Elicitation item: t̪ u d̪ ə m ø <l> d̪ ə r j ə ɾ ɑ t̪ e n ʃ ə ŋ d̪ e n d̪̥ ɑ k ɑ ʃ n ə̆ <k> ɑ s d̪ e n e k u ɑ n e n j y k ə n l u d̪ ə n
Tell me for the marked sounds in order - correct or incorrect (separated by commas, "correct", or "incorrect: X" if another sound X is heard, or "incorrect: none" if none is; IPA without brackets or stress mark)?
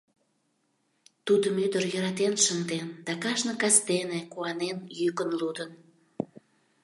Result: incorrect: none, correct